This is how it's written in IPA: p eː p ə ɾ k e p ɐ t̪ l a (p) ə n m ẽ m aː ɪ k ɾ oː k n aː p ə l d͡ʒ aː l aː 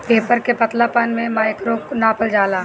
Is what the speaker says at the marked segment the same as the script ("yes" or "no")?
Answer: yes